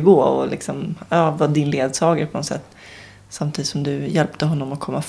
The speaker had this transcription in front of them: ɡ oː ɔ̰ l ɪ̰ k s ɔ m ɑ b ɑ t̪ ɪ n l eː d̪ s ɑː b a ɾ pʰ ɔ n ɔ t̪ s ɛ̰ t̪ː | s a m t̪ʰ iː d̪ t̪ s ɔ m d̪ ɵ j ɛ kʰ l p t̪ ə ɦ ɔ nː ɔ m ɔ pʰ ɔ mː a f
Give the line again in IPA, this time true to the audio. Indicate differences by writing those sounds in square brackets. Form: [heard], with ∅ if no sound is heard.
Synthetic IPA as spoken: ɡ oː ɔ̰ l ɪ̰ k s ɔ m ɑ [v] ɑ [d̪] ɪ n l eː d̪ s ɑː [ɡ] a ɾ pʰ ɔ n ɔ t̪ s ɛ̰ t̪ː | s a m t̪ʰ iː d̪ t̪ s ɔ m d̪ ɵ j ɛ [∅] l p t̪ ə ɦ ɔ nː ɔ m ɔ [kʰ] ɔ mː a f